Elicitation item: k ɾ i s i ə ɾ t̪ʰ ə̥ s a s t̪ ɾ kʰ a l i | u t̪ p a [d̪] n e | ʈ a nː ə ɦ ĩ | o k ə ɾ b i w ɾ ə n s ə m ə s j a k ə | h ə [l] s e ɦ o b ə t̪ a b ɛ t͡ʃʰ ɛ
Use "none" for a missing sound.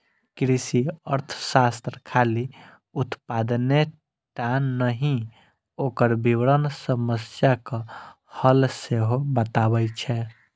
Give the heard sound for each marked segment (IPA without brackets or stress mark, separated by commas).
d̪, l